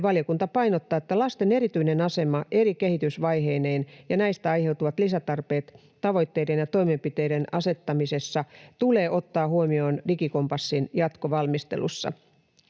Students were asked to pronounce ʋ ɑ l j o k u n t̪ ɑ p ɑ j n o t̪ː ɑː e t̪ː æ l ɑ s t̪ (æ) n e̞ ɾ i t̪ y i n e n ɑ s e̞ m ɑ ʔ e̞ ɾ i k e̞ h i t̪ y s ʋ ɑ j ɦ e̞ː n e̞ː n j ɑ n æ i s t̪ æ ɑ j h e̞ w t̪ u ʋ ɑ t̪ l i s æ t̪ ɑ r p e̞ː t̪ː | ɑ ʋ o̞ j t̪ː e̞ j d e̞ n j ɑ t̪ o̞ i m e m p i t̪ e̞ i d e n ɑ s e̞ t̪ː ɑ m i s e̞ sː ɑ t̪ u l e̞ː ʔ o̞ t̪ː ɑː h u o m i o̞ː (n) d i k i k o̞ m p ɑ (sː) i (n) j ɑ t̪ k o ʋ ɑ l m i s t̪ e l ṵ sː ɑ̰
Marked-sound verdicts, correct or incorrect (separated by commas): incorrect, correct, correct, correct